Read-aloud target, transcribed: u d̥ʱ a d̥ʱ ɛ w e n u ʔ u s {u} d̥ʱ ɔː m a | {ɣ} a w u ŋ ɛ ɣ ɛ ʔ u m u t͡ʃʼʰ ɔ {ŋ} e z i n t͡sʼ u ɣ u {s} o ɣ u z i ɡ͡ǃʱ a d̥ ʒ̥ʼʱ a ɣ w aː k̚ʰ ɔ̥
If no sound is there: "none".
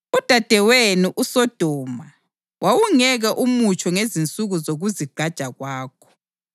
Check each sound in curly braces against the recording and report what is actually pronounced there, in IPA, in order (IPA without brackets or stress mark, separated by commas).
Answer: ɔ, w, ŋ, z